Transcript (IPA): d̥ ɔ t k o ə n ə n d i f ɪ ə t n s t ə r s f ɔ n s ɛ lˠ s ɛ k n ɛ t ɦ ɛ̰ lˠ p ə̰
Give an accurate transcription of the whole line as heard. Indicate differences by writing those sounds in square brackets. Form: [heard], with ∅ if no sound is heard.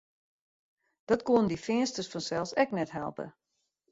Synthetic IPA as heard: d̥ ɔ t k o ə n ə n d i f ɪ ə [∅] n s t ə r s f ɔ n s ɛ lˠ s ɛ k n ɛ t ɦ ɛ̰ lˠ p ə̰